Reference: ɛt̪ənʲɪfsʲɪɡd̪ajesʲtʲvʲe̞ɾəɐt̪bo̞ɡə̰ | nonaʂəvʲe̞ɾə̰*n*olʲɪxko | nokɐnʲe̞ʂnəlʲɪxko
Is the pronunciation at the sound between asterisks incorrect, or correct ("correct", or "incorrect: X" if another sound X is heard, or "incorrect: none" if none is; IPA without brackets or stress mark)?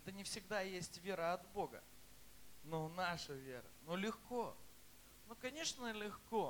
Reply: correct